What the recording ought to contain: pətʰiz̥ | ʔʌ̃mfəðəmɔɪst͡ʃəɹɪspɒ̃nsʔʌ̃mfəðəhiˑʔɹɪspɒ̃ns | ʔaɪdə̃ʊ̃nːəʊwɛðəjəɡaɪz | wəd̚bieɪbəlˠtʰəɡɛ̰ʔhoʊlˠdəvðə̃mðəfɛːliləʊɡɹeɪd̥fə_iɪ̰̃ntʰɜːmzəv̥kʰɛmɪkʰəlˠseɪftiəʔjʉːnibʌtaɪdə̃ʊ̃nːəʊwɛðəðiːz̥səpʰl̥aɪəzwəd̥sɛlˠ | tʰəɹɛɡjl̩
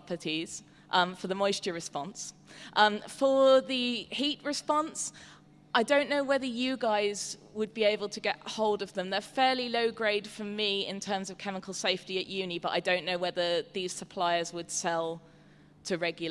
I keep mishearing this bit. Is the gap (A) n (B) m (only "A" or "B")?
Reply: B